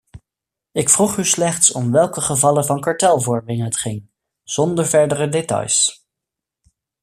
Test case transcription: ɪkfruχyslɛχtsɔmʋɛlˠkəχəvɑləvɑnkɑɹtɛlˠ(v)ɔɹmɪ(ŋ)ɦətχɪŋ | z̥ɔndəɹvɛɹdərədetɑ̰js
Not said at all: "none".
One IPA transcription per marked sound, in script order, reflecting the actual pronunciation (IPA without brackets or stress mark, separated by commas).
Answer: v, ŋ